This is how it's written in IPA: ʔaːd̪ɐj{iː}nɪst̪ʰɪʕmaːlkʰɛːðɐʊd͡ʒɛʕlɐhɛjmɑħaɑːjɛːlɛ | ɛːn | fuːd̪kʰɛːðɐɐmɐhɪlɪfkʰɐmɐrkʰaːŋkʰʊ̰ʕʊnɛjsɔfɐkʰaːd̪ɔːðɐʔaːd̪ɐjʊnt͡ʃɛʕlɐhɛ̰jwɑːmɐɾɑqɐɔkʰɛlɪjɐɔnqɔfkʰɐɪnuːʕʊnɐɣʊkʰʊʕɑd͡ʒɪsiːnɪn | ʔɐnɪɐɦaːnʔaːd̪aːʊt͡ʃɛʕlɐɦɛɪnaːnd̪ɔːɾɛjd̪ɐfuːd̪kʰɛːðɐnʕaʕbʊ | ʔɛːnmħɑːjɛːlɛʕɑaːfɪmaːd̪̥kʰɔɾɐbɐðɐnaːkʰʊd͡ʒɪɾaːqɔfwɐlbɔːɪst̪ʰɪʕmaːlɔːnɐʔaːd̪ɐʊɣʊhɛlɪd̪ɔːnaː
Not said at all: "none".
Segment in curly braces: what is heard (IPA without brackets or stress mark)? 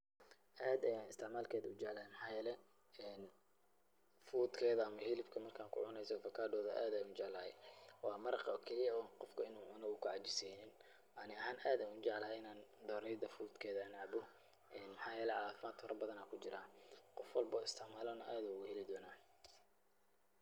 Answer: aː